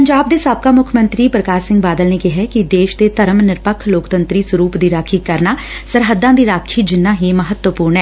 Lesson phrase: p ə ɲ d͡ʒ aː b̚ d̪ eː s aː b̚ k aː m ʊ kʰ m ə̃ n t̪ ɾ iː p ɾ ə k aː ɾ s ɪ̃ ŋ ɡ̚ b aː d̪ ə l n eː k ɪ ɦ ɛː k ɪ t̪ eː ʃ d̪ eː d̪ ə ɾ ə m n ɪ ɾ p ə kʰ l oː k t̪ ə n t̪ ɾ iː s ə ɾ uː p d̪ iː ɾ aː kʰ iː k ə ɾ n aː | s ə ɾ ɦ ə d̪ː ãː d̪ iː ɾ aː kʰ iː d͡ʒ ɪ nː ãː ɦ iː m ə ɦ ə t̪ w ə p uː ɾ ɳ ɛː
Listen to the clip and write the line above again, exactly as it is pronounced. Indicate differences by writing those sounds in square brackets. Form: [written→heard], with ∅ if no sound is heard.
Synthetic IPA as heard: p ə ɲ d͡ʒ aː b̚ d̪ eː s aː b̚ k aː m ʊ kʰ m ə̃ n t̪ ɾ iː p ɾ ə k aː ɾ s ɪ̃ ŋ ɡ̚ b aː d̪ ə l n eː k ɪ ɦ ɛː k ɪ [t̪→d̪] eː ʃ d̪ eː [d̪→t̪] ə ɾ ə m n ɪ ɾ p ə kʰ l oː k t̪ ə n t̪ ɾ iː s ə ɾ uː p d̪ iː ɾ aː kʰ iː k ə ɾ n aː | s ə ɾ ɦ ə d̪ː ãː d̪ iː ɾ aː kʰ iː d͡ʒ ɪ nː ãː ɦ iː m ə ɦ ə t̪ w ə p uː ɾ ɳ ɛː